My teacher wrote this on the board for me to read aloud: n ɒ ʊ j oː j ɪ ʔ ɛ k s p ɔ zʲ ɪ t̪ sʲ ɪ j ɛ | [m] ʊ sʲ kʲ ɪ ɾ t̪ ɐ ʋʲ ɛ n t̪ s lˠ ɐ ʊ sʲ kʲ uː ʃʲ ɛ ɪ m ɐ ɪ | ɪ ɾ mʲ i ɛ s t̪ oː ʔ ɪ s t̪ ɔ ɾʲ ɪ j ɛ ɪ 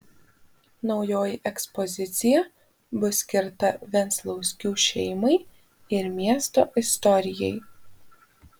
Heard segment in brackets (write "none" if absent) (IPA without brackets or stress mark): b